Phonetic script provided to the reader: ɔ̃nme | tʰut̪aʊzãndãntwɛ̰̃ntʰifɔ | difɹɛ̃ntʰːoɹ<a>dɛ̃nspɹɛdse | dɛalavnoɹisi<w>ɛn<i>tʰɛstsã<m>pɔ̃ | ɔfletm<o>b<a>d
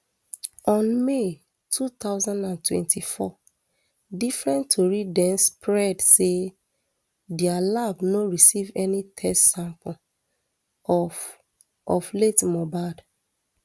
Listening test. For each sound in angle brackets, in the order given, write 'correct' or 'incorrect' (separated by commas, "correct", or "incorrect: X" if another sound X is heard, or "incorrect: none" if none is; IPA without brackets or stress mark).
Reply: incorrect: i, incorrect: v, correct, correct, incorrect: ɔ, correct